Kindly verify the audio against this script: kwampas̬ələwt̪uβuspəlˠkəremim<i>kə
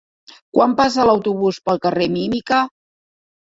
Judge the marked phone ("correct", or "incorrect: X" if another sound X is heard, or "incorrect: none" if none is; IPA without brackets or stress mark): correct